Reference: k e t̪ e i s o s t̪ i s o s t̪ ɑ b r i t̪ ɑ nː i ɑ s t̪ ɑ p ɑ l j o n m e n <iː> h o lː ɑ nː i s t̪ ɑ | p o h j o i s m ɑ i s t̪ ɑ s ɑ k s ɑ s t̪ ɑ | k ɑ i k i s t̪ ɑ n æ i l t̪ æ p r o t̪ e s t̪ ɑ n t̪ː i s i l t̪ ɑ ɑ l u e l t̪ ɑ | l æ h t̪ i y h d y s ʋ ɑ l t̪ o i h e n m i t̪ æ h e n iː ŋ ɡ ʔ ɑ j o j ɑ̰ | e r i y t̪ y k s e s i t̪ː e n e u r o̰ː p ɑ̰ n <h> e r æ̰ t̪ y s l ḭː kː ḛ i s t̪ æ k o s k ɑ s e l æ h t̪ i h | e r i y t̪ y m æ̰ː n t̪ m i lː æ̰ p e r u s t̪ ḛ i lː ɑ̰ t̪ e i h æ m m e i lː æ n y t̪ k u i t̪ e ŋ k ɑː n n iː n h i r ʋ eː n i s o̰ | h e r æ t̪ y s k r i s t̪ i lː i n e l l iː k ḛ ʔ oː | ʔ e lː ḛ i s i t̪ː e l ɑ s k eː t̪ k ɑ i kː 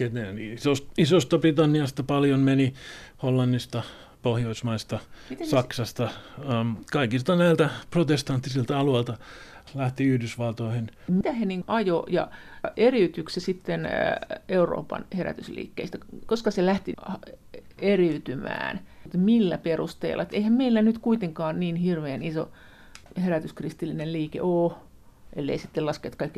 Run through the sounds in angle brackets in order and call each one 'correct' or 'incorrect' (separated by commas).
incorrect, correct